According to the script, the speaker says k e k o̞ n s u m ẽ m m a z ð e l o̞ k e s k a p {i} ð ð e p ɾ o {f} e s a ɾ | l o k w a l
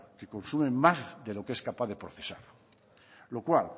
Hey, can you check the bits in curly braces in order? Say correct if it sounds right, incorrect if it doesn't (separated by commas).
incorrect, incorrect